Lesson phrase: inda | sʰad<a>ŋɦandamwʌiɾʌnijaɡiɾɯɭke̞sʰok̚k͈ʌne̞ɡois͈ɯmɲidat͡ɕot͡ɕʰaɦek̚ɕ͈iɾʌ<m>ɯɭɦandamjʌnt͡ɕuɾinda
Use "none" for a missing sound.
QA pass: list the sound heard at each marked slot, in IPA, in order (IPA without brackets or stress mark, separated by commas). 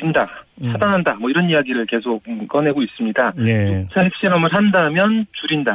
a, m